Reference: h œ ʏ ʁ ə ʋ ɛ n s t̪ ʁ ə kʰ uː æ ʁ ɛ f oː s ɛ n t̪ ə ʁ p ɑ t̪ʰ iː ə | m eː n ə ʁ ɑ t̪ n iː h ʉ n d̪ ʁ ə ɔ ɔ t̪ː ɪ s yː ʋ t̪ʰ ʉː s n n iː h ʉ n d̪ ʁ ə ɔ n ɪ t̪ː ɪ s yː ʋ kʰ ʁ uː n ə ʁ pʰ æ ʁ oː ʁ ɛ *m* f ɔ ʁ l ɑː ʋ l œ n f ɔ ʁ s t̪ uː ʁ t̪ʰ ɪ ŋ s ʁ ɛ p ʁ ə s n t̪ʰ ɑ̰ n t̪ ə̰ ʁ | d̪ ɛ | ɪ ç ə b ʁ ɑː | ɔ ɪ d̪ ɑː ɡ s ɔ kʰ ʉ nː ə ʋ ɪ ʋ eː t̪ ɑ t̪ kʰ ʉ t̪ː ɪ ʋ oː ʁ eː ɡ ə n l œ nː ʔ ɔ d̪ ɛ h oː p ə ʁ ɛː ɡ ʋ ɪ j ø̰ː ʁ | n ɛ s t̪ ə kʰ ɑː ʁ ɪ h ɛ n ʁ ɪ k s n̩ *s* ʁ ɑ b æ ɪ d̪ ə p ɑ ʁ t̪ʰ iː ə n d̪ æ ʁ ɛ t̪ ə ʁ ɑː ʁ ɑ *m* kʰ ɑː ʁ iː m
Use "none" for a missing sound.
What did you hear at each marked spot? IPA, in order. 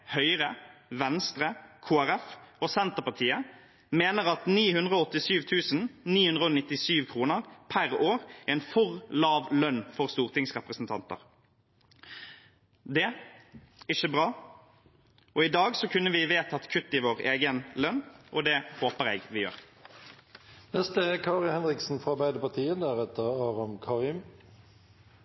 n, f, m

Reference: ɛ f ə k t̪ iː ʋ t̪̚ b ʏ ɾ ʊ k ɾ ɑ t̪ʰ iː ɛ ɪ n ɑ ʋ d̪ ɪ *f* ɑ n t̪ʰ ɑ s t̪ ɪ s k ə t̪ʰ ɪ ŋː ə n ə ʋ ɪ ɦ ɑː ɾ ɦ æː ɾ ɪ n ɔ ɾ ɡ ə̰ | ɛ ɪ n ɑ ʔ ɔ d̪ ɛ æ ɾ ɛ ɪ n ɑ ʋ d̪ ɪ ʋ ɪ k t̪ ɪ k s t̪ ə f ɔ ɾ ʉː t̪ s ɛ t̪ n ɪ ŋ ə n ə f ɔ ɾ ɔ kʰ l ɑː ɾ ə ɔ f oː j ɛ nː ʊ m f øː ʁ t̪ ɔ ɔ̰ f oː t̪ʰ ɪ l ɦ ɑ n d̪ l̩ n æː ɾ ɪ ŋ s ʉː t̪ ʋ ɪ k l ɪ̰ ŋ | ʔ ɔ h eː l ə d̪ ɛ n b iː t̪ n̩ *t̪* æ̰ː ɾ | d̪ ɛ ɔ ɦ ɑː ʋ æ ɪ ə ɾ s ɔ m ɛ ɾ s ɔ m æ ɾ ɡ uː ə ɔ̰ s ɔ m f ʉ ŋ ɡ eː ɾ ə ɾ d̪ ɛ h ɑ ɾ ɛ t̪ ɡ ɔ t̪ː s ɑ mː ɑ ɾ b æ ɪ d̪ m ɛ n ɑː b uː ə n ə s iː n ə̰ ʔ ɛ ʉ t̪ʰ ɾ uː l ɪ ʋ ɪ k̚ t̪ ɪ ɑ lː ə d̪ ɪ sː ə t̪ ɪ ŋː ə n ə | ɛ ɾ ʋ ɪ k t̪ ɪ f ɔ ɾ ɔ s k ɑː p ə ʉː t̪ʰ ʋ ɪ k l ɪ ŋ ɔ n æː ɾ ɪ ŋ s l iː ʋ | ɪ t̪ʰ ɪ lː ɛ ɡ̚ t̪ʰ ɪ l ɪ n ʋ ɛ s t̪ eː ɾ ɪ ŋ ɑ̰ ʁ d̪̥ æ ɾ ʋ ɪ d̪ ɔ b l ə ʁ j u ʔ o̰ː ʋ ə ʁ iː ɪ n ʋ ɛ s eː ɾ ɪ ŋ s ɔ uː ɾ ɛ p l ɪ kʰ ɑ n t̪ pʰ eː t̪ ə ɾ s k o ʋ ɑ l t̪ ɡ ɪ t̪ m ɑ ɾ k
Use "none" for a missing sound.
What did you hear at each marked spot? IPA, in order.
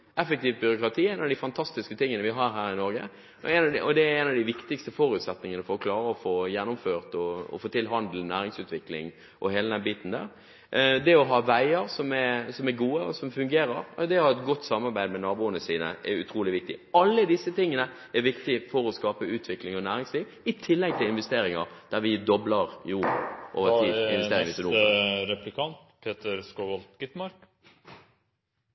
f, d̪

